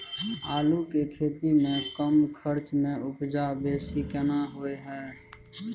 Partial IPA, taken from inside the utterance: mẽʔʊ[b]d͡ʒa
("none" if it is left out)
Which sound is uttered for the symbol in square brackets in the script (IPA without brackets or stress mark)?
p